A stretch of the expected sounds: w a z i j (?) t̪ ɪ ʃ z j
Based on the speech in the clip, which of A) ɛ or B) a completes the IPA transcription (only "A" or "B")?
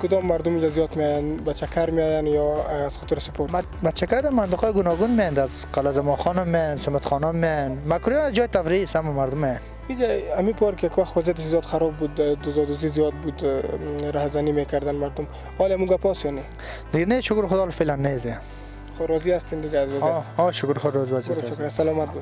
B